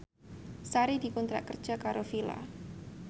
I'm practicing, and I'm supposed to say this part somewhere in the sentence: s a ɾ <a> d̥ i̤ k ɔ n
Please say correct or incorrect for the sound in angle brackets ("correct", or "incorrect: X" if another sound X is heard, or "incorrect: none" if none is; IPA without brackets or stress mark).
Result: incorrect: i